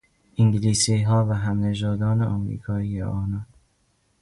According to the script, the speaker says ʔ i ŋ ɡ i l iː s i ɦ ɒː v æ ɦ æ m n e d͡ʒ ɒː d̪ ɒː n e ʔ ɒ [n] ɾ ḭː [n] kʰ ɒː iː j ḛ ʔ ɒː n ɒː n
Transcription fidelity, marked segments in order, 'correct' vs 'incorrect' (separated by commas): incorrect, incorrect